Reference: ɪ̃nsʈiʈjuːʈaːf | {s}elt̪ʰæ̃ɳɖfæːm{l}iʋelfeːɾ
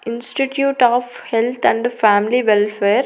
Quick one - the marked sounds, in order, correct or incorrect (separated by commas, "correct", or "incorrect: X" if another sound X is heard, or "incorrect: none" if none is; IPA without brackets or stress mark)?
incorrect: h, correct